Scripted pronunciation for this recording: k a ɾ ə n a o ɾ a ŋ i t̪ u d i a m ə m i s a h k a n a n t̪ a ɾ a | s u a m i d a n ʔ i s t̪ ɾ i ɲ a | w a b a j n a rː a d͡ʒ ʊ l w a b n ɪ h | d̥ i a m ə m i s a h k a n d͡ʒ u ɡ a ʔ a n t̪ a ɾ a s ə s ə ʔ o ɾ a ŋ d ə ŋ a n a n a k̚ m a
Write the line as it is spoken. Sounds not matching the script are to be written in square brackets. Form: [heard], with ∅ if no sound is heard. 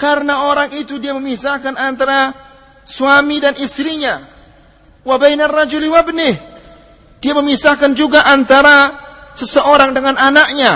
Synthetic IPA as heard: k a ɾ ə n a o ɾ a ŋ i t̪ u d i a m ə m i s a h k a n a n t̪ a ɾ a | s u a m i d a n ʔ i s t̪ ɾ i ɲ a | w a b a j n a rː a d͡ʒ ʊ l w a b n ɪ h | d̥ i a m ə m i s a h k a n d͡ʒ u ɡ a ʔ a n t̪ a ɾ a s ə s ə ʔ o ɾ a ŋ d ə ŋ a n a n a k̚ [ɲ] a